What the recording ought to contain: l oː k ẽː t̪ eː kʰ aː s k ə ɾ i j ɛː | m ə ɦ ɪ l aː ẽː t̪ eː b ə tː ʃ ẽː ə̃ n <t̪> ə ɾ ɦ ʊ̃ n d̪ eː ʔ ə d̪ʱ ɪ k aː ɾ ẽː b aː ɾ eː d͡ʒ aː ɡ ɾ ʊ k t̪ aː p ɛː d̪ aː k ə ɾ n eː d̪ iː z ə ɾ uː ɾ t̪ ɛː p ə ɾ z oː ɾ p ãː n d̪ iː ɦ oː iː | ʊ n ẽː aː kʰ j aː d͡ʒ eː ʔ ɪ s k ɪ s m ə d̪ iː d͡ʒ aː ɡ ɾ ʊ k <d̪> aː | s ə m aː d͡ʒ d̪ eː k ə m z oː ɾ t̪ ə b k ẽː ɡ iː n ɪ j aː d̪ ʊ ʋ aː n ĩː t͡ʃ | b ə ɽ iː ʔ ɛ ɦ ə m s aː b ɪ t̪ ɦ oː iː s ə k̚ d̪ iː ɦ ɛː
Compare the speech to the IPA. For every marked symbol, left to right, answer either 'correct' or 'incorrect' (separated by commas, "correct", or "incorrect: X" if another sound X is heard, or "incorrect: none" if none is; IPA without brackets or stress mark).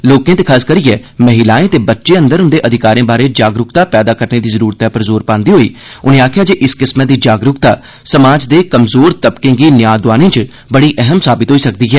incorrect: d̪, incorrect: t̪